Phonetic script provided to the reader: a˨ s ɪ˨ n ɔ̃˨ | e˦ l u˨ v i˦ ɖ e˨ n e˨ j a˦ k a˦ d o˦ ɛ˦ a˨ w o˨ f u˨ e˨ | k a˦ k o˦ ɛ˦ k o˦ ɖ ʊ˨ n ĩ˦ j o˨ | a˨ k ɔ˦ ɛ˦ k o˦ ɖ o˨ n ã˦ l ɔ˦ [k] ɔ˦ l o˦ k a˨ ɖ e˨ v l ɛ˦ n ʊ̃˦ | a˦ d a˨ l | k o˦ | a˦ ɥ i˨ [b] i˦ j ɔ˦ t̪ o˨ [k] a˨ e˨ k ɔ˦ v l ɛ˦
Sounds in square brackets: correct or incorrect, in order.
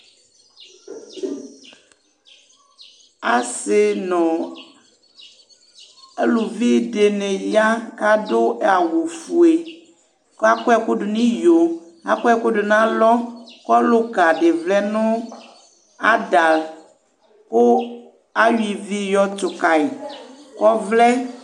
correct, incorrect: v, correct

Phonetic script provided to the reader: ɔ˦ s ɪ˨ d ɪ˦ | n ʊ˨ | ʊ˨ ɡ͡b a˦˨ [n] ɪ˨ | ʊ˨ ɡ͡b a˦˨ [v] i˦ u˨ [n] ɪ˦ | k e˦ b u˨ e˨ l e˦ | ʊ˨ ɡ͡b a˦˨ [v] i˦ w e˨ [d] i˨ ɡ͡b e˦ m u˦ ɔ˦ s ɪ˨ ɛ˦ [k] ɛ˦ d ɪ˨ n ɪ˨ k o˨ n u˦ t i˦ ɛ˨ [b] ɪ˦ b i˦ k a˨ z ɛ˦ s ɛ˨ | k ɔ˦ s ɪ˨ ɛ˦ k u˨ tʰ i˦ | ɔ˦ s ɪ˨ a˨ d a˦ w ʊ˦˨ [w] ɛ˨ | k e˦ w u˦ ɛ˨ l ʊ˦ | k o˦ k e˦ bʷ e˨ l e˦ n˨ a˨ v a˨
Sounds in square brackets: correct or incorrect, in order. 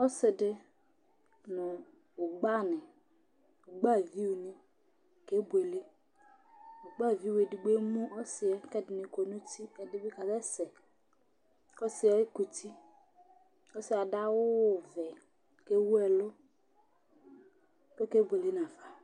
correct, correct, correct, correct, correct, correct, incorrect: d, incorrect: v

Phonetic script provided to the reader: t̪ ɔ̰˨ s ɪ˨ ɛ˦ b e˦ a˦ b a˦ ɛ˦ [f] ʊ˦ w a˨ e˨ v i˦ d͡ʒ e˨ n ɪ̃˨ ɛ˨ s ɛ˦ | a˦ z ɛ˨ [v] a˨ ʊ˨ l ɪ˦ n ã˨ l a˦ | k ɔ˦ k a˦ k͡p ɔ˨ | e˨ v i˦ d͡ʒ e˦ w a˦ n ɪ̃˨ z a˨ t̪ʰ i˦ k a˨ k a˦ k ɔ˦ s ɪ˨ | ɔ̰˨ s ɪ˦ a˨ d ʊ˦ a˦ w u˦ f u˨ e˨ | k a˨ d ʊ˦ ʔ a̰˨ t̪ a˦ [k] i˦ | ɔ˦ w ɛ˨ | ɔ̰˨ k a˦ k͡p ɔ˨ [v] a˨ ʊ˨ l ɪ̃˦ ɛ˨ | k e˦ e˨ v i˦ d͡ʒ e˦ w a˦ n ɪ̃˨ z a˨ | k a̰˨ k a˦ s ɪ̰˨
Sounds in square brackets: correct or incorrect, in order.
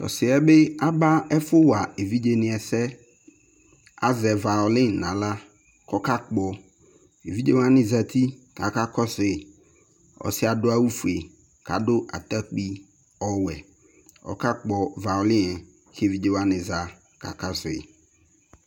correct, correct, incorrect: k͡p, correct

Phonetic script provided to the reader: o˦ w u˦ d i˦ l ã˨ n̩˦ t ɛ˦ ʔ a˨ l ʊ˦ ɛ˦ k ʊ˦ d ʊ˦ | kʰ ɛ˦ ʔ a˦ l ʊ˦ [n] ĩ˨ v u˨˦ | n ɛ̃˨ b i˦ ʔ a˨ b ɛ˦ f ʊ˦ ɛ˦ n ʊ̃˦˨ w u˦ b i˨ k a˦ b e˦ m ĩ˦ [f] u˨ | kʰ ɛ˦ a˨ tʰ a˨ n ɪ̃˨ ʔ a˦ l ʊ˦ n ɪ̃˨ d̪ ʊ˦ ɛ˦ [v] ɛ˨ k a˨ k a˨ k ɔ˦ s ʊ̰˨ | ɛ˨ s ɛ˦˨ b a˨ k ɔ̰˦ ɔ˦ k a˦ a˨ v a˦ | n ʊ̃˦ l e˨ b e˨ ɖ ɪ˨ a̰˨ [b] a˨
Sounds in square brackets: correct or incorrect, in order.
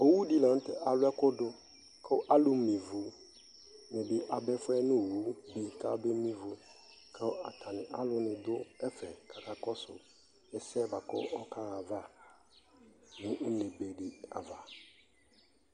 incorrect: m, incorrect: v, incorrect: f, incorrect: v

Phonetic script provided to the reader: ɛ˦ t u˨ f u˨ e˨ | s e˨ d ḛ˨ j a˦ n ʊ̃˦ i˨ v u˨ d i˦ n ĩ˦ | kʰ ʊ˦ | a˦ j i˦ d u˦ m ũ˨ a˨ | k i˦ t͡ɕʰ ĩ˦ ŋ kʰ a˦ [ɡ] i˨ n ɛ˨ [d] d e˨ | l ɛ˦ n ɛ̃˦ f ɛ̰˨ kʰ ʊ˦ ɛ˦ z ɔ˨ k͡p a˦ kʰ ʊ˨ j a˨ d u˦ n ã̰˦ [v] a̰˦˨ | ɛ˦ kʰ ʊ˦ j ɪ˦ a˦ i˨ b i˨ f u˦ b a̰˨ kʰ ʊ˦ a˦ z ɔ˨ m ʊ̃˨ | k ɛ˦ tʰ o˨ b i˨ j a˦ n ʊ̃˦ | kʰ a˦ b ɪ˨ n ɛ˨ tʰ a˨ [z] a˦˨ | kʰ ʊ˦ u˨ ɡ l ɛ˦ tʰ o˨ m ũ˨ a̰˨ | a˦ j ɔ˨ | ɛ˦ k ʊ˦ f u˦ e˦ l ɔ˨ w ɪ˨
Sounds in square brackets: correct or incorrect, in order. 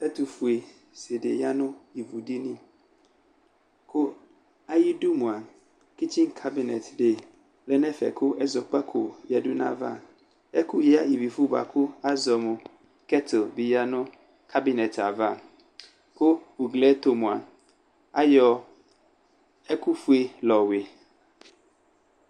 incorrect: b, incorrect: t, correct, incorrect: v

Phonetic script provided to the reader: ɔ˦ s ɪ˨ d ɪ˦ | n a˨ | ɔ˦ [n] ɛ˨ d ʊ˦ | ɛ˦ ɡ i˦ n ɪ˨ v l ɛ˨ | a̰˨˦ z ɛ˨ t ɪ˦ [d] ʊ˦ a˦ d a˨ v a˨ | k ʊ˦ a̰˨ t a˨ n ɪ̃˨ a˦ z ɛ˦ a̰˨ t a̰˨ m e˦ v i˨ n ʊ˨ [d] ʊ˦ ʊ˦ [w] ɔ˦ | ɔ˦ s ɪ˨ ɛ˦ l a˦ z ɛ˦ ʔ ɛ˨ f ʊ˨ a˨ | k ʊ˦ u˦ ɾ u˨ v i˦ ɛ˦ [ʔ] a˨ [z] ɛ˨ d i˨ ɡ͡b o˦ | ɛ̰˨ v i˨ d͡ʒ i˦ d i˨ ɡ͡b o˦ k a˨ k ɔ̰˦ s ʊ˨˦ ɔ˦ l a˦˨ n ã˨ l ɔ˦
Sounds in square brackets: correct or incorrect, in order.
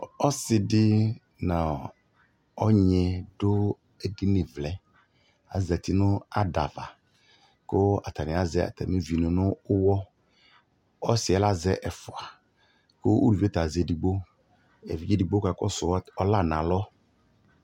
incorrect: ɲ, incorrect: n, incorrect: n, correct, incorrect: t, correct

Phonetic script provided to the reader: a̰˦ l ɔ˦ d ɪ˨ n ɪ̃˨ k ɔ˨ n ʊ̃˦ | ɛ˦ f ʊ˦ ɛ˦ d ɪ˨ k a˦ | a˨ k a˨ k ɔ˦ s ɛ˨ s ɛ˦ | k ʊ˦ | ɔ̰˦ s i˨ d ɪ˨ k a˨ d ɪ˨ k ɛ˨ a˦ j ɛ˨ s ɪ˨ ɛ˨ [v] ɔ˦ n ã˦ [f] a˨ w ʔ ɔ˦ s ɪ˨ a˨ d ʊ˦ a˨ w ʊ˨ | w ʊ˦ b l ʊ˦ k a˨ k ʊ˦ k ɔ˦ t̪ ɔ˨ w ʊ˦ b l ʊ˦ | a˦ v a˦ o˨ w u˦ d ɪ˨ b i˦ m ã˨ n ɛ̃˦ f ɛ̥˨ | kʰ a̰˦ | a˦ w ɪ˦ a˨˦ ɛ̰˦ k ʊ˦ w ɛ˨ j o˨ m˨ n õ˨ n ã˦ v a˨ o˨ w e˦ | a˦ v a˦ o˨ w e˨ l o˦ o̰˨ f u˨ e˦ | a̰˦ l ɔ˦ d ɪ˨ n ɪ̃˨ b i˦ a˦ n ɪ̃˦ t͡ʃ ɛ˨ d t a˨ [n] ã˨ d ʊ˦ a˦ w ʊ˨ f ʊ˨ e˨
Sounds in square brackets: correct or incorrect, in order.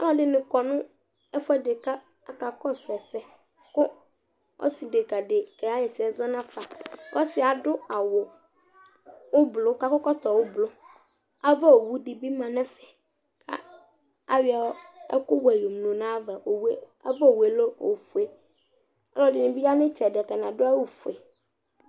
incorrect: z, correct, correct

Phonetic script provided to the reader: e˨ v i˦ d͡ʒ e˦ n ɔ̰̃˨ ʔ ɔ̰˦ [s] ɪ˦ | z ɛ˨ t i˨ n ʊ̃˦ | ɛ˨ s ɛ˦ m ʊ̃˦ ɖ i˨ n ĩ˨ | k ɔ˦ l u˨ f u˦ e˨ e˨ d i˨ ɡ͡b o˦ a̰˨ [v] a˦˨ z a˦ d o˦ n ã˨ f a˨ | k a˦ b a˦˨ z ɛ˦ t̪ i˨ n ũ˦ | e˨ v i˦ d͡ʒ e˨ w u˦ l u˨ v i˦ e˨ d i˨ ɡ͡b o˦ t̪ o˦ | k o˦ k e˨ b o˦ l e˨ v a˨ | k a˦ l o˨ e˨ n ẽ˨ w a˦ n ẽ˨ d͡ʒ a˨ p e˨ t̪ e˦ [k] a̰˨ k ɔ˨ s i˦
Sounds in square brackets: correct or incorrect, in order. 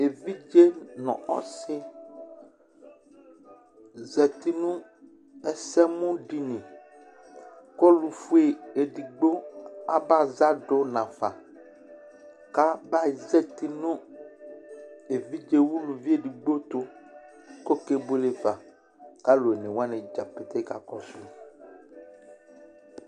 correct, incorrect: b, correct

